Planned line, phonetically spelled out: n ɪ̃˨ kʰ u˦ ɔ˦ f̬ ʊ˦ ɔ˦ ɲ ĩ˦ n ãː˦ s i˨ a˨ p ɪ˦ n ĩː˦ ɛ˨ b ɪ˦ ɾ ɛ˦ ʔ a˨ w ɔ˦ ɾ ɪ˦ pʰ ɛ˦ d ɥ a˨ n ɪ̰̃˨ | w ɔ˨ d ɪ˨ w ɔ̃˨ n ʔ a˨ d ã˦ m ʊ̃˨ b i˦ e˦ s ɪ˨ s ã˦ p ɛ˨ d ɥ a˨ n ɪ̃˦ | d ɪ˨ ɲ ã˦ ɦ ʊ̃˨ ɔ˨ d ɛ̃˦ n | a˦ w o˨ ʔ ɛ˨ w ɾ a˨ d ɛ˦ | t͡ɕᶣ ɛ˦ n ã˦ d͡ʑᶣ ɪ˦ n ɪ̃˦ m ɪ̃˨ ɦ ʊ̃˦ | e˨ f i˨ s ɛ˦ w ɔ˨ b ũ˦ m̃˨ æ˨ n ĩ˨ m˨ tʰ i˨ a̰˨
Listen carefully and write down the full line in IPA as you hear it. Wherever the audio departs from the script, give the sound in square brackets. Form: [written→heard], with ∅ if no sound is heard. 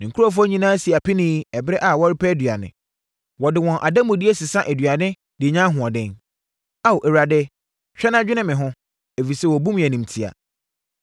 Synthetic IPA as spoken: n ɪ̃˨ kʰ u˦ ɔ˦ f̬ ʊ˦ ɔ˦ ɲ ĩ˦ n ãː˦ s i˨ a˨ p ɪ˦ n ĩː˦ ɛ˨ b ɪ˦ ɾ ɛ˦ ʔ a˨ w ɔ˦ ɾ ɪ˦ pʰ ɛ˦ d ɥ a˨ n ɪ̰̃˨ | w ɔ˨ d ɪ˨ w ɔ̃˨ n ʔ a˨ d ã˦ m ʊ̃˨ [b→d] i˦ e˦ s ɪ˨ s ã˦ [p→ʔ] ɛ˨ d ɥ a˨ n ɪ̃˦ | d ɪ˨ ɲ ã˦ ɦ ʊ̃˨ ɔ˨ d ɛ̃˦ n | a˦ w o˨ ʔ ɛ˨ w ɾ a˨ d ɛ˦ | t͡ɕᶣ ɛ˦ n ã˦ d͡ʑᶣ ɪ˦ n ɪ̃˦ m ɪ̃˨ ɦ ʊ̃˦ | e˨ f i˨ s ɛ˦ w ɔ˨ b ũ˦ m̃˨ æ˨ n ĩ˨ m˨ tʰ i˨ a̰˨